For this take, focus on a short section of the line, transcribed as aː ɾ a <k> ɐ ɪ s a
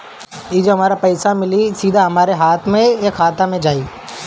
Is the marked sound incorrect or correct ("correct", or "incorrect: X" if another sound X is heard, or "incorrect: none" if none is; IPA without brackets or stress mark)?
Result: incorrect: p